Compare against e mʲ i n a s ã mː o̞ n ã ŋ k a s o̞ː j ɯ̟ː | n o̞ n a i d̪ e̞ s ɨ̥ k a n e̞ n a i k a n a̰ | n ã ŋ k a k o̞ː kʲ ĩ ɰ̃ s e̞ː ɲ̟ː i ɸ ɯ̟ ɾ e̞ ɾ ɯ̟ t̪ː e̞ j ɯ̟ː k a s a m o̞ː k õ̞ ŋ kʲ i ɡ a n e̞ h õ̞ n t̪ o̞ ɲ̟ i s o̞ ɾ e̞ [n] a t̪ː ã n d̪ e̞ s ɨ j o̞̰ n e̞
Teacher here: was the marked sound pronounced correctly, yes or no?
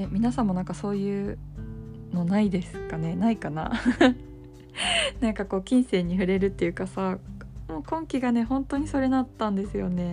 yes